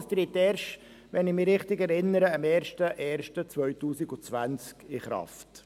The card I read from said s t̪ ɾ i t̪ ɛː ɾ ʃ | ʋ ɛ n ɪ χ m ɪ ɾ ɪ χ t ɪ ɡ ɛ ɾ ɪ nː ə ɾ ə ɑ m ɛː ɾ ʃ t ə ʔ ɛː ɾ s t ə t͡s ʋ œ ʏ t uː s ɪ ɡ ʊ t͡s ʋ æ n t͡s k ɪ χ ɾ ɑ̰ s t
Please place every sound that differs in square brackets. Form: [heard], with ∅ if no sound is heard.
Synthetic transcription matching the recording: s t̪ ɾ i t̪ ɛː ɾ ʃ | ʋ ɛ n ɪ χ m ɪ ɾ ɪ χ t ɪ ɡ ɛ ɾ ɪ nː ə ɾ ə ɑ m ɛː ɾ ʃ t ə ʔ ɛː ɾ [ʃ] t ə t͡s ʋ œ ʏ t uː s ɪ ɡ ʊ t͡s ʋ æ n t͡s k ɪ χ ɾ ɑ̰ [f] t